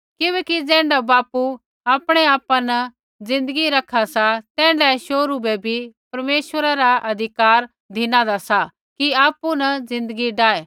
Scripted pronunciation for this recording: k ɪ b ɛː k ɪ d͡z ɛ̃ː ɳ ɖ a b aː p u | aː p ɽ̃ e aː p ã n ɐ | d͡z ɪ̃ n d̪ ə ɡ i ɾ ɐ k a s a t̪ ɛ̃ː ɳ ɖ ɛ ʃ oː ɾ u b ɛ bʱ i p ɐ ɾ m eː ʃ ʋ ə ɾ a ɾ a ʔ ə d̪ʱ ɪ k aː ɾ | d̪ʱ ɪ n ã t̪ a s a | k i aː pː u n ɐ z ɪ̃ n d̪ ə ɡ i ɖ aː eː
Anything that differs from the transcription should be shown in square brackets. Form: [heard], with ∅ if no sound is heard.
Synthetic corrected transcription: k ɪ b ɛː k [i] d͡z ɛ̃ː ɳ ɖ a b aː p u | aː p ɽ̃ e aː p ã n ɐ | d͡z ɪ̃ n d̪ ə ɡ i ɾ ɐ [kʰ] a s a t̪ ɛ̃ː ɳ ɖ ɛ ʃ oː ɾ u b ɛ bʱ i p ɐ ɾ m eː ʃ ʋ ə ɾ a ɾ a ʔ [ɐ] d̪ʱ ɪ k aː ɾ | d̪ʱ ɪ n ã [d̪] a s a | k i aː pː u n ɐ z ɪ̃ n d̪ ə ɡ i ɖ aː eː